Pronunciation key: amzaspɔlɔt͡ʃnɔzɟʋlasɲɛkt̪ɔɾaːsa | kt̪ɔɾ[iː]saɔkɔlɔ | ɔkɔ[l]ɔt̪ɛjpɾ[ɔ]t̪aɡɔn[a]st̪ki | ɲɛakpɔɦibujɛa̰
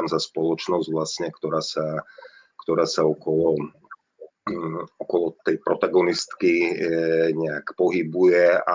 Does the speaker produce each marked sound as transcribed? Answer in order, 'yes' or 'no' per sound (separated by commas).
no, yes, yes, no